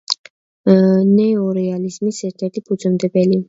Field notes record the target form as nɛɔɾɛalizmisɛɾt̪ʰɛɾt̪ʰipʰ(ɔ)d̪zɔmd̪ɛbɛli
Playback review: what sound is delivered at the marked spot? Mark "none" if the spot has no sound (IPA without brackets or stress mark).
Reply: u